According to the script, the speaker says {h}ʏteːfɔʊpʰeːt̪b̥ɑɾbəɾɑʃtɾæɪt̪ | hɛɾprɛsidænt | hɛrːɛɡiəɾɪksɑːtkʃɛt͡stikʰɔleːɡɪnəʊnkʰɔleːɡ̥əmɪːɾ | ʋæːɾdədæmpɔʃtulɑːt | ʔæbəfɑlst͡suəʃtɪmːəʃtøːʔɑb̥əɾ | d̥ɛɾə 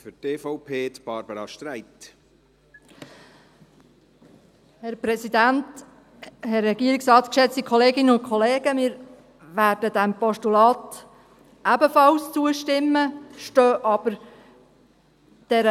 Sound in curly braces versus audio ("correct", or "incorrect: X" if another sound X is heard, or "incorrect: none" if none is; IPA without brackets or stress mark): incorrect: f